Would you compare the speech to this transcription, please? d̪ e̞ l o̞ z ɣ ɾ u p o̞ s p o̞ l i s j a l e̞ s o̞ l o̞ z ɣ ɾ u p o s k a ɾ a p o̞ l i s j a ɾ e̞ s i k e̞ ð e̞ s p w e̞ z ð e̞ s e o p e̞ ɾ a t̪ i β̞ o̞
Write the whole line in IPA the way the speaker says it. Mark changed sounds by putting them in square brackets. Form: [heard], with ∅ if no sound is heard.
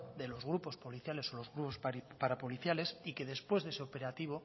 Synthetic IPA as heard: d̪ e̞ l o̞ z ɣ ɾ u p o̞ s p o̞ l i [θ] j a l e̞ s o̞ l o̞ z ɣ ɾ u p o s [p] a ɾ a p o̞ l i [θ] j a [l] e̞ s i k e̞ ð e̞ s p w e̞ z ð e̞ s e o p e̞ ɾ a t̪ i β̞ o̞